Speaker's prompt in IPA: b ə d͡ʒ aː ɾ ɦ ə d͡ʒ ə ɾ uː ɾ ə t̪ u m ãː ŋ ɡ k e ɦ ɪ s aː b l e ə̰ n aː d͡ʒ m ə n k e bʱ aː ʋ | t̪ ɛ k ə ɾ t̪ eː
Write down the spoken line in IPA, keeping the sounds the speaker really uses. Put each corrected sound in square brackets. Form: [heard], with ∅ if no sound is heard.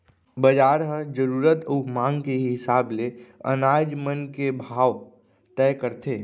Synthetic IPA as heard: b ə d͡ʒ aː ɾ ɦ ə d͡ʒ ə ɾ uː ɾ ə t̪ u m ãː ŋ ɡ k e ɦ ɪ s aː b l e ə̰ n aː d͡ʒ m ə n k e bʱ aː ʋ | t̪ ɛ k ə ɾ t̪ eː